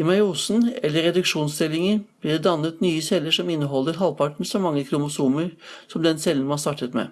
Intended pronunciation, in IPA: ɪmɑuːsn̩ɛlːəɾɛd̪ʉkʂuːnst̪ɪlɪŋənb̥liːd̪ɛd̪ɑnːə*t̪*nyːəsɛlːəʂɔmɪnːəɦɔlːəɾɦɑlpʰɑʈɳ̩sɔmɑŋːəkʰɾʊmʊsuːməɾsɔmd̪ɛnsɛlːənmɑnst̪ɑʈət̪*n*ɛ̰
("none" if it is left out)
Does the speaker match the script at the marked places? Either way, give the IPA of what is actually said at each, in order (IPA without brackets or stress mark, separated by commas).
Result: t̪, m